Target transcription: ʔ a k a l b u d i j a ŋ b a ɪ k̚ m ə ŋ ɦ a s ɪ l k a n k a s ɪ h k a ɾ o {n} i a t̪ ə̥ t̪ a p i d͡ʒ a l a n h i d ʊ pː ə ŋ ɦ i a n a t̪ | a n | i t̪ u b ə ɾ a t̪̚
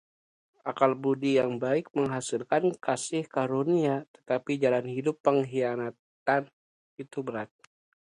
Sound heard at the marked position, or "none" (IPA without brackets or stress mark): n